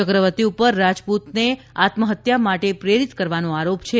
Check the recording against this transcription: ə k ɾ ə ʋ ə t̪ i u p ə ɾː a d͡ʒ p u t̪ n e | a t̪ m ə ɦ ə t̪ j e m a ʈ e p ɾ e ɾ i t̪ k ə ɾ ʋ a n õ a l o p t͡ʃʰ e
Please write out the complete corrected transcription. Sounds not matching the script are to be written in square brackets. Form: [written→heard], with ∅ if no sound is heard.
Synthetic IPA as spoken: ə k ɾ ə ʋ ə t̪ i u p ə ɾː a d͡ʒ p u t̪ n e | a t̪ m ə ɦ ə t̪ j [e→a] m a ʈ e p ɾ e ɾ i t̪ k ə ɾ ʋ a n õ a [l→ɾ] o p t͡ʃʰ e

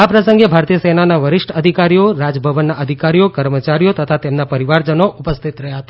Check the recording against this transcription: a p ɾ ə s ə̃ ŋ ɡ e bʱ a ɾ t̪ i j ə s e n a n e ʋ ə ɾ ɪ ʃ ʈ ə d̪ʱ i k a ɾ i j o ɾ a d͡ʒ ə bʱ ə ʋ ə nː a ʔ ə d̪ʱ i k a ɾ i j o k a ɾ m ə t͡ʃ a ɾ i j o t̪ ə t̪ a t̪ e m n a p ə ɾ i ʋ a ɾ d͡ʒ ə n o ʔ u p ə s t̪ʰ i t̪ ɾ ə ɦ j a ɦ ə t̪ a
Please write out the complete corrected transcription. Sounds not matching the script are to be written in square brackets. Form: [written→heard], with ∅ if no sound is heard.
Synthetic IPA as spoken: a p ɾ ə s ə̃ ŋ ɡ e bʱ a ɾ t̪ i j ə s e n a n [e→a] ʋ ə ɾ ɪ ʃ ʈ ə d̪ʱ i k a ɾ i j o ɾ a d͡ʒ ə bʱ ə ʋ ə nː a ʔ ə d̪ʱ i k a ɾ i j o k [a→ə] ɾ m ə t͡ʃ a ɾ i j o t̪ ə [t̪→t̪ʰ] a t̪ e m n a p ə ɾ i ʋ a ɾ d͡ʒ ə n o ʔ u p ə s t̪ʰ i t̪ ɾ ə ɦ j a ɦ ə t̪ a

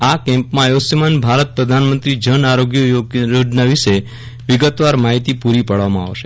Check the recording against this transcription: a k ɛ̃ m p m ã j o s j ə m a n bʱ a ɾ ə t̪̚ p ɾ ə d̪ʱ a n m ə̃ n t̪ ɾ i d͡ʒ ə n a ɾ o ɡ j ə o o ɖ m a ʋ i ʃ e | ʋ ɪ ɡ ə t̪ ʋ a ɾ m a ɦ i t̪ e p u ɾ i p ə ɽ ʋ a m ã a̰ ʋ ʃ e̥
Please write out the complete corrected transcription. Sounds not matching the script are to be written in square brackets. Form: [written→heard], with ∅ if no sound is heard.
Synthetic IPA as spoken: a k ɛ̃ m p m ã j o s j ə m a n bʱ a ɾ ə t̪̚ p ɾ ə d̪ʱ a n m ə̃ n t̪ ɾ i d͡ʒ ə n a ɾ o ɡ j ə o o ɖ [m→n] a ʋ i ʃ e | ʋ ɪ ɡ ə t̪ ʋ a ɾ m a ɦ i t̪ [e→i] p u ɾ i p ə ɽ ʋ a m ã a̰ ʋ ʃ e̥

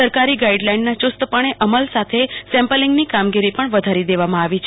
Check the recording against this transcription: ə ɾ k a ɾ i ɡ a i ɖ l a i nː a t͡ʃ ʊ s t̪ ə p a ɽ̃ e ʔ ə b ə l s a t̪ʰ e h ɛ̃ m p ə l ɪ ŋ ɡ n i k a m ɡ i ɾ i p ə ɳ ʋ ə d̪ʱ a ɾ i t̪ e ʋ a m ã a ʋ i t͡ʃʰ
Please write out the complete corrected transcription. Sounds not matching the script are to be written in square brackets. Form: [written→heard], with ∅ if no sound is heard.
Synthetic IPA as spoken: ə ɾ k a ɾ i ɡ a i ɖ l a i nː a t͡ʃ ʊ s t̪ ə p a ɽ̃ e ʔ ə [b→m] ə l s a t̪ʰ e [h→s] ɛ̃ m p ə l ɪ ŋ ɡ n i k a m ɡ i ɾ i p ə ɳ ʋ ə d̪ʱ a ɾ i [t̪→d̪] e ʋ a m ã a ʋ i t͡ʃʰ

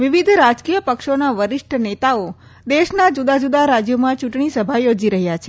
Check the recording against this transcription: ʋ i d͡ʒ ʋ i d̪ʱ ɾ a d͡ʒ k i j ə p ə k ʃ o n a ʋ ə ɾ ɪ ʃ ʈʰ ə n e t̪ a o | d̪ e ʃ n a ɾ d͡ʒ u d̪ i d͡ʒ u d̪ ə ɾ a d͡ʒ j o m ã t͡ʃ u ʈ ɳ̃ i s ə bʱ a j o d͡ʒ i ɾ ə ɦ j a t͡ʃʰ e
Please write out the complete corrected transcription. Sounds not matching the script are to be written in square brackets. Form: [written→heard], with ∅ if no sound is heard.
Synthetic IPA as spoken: ʋ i [d͡ʒ→∅] ʋ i d̪ʱ ɾ a d͡ʒ k i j ə p ə k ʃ o n a ʋ ə ɾ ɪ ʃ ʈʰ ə n e t̪ a o | d̪ e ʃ n a [ɾ→∅] d͡ʒ u d̪ [i→a] d͡ʒ u d̪ [ə→a] ɾ a d͡ʒ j o m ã t͡ʃ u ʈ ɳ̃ i s ə bʱ a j o d͡ʒ i ɾ ə ɦ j a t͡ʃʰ e

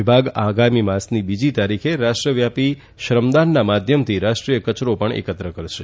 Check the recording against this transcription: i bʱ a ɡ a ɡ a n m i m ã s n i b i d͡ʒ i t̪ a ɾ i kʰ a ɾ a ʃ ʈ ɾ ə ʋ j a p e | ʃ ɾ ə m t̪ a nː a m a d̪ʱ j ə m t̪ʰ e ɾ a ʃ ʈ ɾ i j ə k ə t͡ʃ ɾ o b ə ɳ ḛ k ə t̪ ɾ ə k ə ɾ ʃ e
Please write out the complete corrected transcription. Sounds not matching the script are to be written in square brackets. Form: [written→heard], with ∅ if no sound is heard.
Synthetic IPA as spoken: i bʱ a ɡ a ɡ a [n→∅] m i m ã s n i b i d͡ʒ i t̪ a ɾ i kʰ [a→e] ɾ a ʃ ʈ ɾ ə ʋ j a p [e→i] | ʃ ɾ ə m [t̪→d̪] a nː a m a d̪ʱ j ə m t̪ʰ [e→i] ɾ a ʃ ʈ ɾ i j ə k ə t͡ʃ ɾ o [b→p] ə ɳ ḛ k ə t̪ ɾ ə k ə ɾ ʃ e

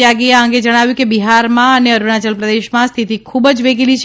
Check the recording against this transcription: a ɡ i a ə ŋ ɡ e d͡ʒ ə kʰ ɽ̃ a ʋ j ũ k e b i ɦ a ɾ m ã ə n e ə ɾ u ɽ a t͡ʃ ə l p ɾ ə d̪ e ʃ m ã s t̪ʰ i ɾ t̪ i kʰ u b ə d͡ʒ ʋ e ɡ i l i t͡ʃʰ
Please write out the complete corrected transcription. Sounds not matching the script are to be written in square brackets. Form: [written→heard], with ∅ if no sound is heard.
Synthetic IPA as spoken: a ɡ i a ə ŋ ɡ e d͡ʒ ə [kʰ→∅] ɽ̃ a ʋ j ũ k e b i ɦ a ɾ m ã ə n e ə ɾ u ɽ a t͡ʃ ə l p ɾ ə d̪ e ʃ m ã s t̪ʰ i [ɾ→∅] t̪ i kʰ u b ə d͡ʒ ʋ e ɡ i l i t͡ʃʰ

